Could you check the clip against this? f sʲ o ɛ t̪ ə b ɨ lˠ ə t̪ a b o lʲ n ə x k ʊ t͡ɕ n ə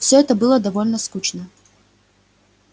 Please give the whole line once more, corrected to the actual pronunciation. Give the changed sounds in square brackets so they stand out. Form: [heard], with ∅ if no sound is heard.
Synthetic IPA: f sʲ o ɛ t̪ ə b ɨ lˠ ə [d̪] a [v] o lʲ n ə [s] k [u] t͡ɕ n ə